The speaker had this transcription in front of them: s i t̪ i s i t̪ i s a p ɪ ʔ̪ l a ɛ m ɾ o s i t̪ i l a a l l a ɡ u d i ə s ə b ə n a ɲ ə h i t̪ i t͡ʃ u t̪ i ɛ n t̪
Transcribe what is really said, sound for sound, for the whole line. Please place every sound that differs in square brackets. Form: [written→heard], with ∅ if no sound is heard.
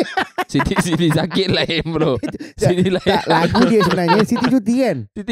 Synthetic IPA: s i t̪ i s i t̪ i s a [p→k] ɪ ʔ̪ l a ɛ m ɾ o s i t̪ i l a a l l a ɡ u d i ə s ə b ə n a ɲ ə [h→s] i t̪ i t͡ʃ u t̪ i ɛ n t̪